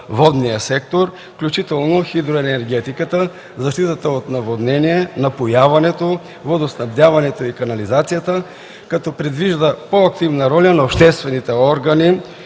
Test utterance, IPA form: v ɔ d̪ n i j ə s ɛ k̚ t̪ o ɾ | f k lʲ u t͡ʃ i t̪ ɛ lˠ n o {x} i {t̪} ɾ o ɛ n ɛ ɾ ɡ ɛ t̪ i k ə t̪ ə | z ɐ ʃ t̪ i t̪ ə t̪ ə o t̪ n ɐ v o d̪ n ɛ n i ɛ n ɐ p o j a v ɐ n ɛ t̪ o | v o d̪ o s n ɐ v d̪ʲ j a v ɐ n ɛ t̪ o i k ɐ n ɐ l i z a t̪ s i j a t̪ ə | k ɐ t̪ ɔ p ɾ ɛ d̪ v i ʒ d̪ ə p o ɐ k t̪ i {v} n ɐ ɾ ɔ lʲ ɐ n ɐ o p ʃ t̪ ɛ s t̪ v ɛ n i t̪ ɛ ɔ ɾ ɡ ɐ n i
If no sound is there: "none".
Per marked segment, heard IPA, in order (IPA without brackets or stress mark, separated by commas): x, d̪, v